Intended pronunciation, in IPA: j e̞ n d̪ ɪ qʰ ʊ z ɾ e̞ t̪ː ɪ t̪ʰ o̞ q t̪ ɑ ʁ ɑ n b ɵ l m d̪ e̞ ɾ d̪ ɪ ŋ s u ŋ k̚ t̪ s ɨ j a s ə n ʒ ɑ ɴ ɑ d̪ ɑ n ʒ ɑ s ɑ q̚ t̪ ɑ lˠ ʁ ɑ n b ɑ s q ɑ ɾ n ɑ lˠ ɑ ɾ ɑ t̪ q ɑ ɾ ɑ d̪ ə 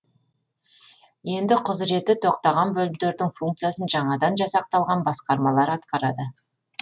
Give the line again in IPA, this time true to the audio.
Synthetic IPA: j e̞ n d̪ ɪ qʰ ʊ z ɾ e̞ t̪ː ɪ t̪ʰ o̞ q t̪ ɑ ʁ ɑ n b ɵ l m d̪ e̞ ɾ d̪ ɪ ŋ f u ŋ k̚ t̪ s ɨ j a s ə n ʒ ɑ ɴ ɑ d̪ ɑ n ʒ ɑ s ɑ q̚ t̪ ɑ lˠ ʁ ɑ n b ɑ s q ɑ ɾ m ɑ lˠ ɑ ɾ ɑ t̪ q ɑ ɾ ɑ d̪ ə

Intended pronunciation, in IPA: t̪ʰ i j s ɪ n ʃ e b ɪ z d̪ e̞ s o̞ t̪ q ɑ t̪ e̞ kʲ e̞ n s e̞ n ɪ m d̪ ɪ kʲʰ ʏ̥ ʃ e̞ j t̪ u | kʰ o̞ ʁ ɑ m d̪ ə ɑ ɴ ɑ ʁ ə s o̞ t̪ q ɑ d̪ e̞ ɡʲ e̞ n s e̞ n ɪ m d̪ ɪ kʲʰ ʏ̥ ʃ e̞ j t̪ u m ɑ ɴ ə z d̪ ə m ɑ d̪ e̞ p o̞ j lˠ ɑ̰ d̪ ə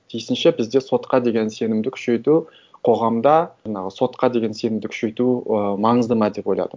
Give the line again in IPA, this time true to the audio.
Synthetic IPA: t̪ʰ i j s ɪ n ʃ e b ɪ z d̪ e̞ s o̞ t̪ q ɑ d̪ e̞ ɡʲ e̞ n s e̞ n ɪ m d̪ ɪ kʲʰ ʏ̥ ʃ e̞ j t̪ u | qʰ o̞ ʁ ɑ m d̪ ɑ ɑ ɴ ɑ ʁ ə s o̞ t̪ q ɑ d̪ e̞ ɡʲ e̞ n s e̞ n ɪ m d̪ ɪ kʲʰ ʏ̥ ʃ e̞ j t̪ u m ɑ ɴ ə z d̪ ə m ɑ d̪ e̞ p o̞ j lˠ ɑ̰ d̪ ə

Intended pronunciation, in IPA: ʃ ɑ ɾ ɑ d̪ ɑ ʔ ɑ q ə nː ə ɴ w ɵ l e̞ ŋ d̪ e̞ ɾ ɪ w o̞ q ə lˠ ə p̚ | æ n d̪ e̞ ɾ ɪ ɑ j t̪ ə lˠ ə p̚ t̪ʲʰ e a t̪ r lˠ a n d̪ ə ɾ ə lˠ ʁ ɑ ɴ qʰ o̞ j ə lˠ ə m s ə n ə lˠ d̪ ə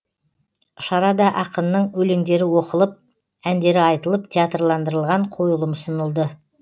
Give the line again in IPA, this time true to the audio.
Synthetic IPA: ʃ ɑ ɾ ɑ d̪ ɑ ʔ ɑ q ə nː ə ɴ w ɵ l e̞ ŋ d̪ e̞ ɾ ɪ w o̞ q ə lˠ ə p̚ | æ n d̪ e̞ ɾ ɪ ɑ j t̪ ə lˠ ə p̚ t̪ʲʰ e a t̪ r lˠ ɑ n d̪ ə ɾ ə lˠ ʁ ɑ ɴ qʰ o̞ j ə lˠ ə m s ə n ə lˠ d̪ ə

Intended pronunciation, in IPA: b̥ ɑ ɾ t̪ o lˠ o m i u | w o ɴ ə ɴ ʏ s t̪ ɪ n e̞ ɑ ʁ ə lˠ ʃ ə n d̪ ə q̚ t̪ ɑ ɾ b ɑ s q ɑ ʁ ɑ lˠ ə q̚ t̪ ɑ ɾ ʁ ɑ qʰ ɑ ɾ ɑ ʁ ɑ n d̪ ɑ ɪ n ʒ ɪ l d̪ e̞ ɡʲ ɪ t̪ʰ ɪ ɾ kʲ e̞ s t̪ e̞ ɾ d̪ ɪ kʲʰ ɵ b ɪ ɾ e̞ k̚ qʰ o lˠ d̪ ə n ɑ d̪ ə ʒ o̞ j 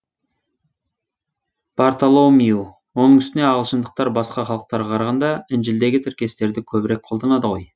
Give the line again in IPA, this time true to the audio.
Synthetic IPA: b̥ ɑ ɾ t̪ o lˠ o m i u | w o n ə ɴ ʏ s t̪ ɪ n e̞ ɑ ʁ ə lˠ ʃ ə n d̪ ə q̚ t̪ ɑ ɾ b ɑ s q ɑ χ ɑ lˠ ə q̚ t̪ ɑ ɾ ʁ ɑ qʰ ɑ ɾ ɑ ʁ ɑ n d̪ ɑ ɪ n ʒ ɪ l d̪ e̞ ɡʲ ɪ t̪ʰ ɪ ɾ kʲ e̞ s t̪ e̞ ɾ d̪ ɪ kʲʰ ɵ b ɪ ɾ e̞ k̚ qʰ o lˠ d̪ ɑ n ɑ d̪ ə ʁ o̞ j

